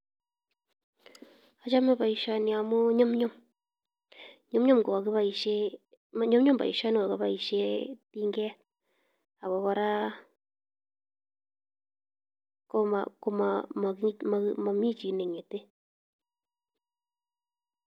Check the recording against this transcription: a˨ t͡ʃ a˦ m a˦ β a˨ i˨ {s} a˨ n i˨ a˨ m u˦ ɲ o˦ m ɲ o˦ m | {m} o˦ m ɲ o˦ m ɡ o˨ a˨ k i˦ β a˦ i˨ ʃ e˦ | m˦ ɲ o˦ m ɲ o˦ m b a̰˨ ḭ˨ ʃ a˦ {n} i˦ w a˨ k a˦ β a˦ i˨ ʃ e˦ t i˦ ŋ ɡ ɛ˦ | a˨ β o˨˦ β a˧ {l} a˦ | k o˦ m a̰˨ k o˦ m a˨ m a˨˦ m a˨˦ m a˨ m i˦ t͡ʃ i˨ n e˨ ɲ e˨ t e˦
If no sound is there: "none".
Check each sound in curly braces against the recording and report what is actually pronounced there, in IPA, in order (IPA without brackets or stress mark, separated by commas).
ʃ, ɲ, n, ɾ